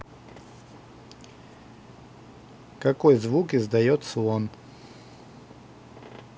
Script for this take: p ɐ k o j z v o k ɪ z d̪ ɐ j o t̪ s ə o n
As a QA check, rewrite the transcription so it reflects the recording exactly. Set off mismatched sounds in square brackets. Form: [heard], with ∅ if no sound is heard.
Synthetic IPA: [k] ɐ k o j z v [u] k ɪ z d̪ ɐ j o t̪ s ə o n